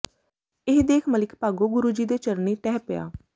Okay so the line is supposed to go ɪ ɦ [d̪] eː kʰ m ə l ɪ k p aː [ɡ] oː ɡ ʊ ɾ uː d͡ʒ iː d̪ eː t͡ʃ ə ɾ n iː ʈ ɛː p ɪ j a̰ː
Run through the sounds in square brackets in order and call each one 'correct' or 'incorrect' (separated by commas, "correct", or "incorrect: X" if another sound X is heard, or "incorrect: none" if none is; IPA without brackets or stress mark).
correct, correct